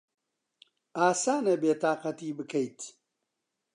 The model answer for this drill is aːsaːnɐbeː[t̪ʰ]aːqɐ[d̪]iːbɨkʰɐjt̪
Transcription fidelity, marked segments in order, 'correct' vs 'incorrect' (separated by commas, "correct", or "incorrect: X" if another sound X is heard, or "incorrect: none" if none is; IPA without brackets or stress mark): incorrect: t̪, incorrect: t̪